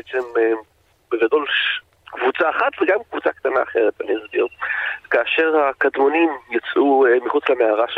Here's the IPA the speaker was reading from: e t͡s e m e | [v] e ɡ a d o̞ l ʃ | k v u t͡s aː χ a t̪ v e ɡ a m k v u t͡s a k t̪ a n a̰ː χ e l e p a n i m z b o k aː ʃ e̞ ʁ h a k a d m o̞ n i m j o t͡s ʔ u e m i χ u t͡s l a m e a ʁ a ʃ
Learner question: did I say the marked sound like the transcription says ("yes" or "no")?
no